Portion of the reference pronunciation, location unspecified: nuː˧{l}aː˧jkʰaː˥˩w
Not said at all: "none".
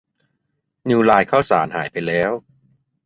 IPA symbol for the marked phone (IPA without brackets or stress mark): l